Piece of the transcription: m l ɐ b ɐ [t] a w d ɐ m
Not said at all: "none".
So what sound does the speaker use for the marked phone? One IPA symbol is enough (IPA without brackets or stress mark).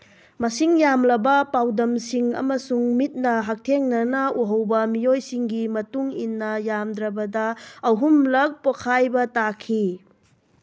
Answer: p